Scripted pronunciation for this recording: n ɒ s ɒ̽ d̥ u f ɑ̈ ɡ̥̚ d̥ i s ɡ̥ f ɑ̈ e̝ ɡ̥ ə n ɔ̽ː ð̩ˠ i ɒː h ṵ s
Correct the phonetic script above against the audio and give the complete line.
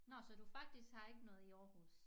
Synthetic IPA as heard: n ɒ s ɒ̽ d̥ u f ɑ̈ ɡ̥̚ d̥ i s ɡ̥ h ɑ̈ e̝ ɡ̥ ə n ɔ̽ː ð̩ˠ i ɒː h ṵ s